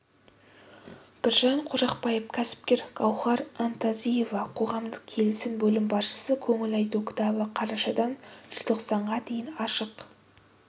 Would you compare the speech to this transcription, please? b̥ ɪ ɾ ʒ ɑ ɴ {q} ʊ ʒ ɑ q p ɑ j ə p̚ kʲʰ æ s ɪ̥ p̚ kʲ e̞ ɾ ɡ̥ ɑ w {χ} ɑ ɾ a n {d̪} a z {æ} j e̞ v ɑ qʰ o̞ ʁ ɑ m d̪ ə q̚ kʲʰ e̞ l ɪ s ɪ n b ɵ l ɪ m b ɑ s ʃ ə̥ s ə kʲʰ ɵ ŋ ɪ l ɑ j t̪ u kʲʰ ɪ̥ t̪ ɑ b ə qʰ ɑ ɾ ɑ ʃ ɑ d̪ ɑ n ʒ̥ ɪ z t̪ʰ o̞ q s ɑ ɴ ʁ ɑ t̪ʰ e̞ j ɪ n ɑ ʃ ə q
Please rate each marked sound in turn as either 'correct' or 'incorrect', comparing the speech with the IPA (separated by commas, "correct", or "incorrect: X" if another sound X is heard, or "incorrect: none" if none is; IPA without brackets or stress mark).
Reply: incorrect: qʰ, correct, incorrect: t̪, incorrect: i